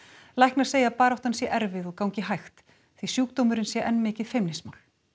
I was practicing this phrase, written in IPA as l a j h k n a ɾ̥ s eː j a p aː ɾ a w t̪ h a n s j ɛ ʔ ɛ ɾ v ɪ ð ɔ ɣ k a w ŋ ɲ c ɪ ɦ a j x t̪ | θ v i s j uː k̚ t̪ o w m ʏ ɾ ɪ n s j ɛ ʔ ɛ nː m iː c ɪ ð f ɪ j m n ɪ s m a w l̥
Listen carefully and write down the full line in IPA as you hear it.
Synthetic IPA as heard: l a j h k n a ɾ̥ s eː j a p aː ɾ a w t̪ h a n s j ɛ ʔ ɛ ɾ v ɪ ð ɔ ɣ k a w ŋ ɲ c ɪ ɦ a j x t̪ | θ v i s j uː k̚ t̪ o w m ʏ ɾ ɪ n s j ɛ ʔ ɛ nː m ɪː c ɪ ð f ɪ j m n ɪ s m a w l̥